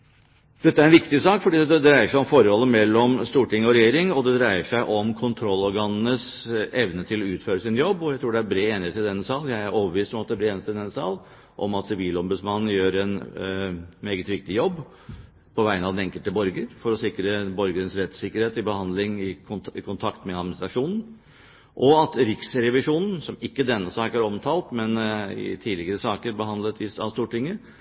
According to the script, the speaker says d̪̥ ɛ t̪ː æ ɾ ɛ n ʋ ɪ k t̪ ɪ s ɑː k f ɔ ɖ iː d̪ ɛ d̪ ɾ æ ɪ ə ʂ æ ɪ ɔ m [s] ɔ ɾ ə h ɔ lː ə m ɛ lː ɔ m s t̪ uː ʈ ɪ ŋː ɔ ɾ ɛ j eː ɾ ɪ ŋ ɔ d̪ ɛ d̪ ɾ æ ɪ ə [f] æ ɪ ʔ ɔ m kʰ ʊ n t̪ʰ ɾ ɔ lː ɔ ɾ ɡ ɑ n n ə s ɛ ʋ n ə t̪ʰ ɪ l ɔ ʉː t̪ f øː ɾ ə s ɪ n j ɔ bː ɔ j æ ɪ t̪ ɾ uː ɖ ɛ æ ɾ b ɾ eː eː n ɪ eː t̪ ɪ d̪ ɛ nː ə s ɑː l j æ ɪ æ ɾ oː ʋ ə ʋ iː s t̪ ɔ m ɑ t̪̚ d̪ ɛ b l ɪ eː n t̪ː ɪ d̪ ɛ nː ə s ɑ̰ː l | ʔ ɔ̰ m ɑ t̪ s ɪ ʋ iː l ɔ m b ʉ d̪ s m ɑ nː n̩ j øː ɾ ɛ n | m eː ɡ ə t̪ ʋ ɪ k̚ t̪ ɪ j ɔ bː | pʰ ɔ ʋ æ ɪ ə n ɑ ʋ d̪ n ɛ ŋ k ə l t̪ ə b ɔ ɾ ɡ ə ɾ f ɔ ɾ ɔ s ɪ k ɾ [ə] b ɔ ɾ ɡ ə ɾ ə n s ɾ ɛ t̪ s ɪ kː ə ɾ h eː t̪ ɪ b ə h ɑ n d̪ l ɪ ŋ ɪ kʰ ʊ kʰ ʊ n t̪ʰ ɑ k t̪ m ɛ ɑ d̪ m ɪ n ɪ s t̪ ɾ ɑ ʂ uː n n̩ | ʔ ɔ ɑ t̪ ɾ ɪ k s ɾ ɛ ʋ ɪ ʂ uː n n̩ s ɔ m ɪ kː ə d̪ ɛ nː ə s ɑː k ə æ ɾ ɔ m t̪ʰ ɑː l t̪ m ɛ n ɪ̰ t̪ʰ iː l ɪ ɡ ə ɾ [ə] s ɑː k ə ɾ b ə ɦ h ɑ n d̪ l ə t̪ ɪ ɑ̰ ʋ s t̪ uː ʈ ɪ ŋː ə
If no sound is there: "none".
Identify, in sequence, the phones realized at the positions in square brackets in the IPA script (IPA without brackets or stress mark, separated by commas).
f, ʂ, ə, ə